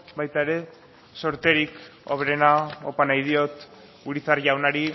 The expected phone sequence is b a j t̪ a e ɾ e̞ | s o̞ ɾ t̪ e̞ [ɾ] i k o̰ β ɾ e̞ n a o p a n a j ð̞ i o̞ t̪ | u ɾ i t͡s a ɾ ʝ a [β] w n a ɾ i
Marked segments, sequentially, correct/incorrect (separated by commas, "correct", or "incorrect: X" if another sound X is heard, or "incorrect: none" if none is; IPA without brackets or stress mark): correct, incorrect: none